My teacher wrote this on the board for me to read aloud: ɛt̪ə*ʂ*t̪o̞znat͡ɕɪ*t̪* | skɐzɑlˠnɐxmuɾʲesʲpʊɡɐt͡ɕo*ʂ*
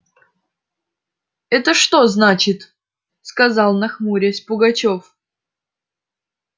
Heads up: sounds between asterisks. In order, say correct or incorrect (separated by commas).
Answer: correct, correct, incorrect